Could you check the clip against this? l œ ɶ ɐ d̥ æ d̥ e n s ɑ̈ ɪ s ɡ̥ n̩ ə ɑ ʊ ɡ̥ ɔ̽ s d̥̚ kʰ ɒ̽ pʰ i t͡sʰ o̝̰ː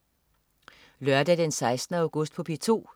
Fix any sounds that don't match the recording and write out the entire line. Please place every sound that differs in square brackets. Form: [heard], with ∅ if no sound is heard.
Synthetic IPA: l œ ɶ ɐ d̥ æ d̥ e n s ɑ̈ ɪ s [d̥] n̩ ə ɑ ʊ ɡ̥ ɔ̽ s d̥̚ [pʰ] ɒ̽ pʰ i t͡sʰ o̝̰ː

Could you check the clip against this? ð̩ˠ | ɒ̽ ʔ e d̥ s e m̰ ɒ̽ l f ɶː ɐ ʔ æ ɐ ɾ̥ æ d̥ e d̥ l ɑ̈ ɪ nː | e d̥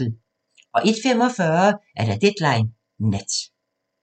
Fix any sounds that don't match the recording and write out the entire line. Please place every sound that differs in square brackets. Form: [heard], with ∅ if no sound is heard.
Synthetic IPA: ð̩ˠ | ɒ̽ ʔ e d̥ [f] e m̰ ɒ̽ [∅] f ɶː ɐ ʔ æ ɐ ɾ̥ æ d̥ e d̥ l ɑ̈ ɪ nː | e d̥

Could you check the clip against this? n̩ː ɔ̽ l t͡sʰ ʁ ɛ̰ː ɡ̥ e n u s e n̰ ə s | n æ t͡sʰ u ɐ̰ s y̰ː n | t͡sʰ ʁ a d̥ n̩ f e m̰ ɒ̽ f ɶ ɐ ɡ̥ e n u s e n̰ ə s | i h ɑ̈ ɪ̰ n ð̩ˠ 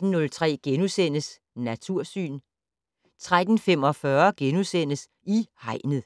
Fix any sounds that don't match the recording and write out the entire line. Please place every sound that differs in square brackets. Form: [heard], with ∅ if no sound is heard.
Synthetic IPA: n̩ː ɔ̽ l t͡sʰ ʁ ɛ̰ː ɡ̥ e n u s e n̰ ə s | n æ t͡sʰ u ɐ̰ s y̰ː n | t͡sʰ ʁ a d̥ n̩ f e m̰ ɒ̽ f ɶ ɐ ɡ̥ e n u s e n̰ ə s | i h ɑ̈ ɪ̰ n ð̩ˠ

